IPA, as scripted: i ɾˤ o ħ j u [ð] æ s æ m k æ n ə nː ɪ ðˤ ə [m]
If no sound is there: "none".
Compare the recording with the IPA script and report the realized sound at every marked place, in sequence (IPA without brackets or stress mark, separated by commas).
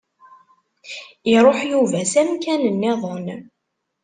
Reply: v, n